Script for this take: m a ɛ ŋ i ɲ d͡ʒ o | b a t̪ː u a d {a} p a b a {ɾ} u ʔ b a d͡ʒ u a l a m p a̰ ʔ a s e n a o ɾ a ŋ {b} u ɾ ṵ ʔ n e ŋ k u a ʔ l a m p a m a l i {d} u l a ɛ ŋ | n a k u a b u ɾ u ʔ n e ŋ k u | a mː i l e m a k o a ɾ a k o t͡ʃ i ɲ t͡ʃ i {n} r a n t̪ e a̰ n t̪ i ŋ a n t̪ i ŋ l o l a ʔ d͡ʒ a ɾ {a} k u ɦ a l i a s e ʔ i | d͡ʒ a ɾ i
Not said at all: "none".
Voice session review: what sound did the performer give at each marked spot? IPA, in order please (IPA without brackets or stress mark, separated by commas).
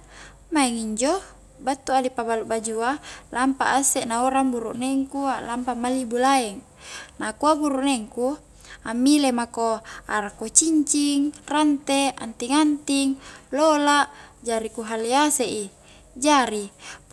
i, l, b, b, ŋ, i